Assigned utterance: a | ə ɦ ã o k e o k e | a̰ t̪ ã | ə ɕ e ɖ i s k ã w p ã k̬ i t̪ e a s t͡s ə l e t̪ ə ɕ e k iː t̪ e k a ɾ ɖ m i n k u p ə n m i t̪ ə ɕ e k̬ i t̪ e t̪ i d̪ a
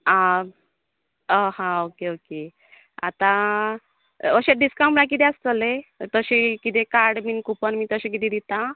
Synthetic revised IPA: a | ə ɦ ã o k e o k e | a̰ t̪ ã | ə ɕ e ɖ i s k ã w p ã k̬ i t̪ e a s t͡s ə l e t̪ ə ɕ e k i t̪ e k a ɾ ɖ m i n k u p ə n m i t̪ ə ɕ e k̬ i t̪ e d̪ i t̪ a